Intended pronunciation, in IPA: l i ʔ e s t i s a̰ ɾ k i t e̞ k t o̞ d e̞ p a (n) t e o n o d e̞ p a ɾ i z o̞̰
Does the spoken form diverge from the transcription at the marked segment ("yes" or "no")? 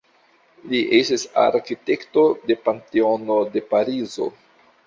no